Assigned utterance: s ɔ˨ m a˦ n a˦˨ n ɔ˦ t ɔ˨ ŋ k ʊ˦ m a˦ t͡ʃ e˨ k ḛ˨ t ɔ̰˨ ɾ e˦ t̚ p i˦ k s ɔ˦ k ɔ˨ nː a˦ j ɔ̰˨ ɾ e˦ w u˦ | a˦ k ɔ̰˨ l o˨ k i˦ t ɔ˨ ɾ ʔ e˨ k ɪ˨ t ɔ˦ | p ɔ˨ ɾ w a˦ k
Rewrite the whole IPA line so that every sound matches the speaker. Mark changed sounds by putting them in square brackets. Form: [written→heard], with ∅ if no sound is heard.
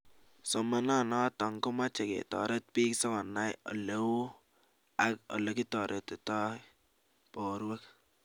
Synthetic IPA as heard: s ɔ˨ m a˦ n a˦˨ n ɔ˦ t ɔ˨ ŋ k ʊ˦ m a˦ t͡ʃ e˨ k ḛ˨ t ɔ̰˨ ɾ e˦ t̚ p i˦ k s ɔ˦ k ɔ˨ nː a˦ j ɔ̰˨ [ɾ→l] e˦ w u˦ | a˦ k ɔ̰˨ l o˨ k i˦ t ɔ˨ ɾ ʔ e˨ [k→t] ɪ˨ t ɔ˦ | p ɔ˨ ɾ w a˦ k